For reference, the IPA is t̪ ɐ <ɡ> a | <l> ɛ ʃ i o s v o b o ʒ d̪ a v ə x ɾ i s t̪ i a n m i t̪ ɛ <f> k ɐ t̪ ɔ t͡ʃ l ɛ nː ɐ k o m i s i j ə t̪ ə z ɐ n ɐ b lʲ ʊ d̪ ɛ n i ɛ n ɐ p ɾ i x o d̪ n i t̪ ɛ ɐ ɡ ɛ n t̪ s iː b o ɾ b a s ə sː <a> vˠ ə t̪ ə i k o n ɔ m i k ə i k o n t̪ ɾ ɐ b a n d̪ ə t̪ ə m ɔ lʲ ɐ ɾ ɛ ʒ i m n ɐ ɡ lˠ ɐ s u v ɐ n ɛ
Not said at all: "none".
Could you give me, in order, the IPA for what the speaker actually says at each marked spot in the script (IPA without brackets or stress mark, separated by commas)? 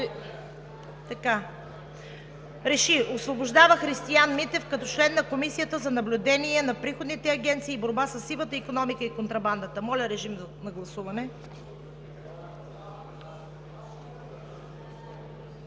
k, ɾ, f, i